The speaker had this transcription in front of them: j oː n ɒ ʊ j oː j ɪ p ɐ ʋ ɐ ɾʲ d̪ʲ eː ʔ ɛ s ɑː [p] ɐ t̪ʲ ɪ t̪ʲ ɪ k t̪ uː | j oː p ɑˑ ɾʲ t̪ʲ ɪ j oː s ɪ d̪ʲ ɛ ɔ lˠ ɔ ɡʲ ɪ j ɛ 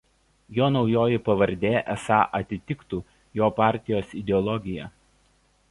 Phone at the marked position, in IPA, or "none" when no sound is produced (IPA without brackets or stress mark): ʔ